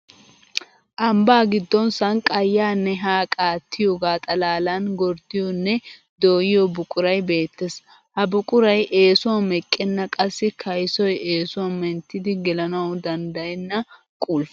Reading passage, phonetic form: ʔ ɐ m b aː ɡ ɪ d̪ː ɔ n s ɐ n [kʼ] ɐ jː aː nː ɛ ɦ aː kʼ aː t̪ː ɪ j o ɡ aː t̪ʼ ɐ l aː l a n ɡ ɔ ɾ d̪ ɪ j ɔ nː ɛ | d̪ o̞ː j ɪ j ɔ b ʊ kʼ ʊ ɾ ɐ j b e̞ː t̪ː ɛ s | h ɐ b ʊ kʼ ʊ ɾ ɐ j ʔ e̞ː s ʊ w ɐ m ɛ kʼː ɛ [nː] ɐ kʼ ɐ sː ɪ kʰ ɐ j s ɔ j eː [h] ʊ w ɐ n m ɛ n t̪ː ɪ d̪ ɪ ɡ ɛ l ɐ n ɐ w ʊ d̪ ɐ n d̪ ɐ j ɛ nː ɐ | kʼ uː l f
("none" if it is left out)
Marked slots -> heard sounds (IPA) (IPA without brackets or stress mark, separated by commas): kʼ, nː, s